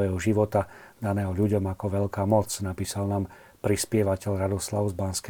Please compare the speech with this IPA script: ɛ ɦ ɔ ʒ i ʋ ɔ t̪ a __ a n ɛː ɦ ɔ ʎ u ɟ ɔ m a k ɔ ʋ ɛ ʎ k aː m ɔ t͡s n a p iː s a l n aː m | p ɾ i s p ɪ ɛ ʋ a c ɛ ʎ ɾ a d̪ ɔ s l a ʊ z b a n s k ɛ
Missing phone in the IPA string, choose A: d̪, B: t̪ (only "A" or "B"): A